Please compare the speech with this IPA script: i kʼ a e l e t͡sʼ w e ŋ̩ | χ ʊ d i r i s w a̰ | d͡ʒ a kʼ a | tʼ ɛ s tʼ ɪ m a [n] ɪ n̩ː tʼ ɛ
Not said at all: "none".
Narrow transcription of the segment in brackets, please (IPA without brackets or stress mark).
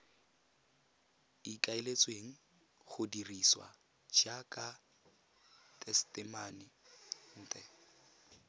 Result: n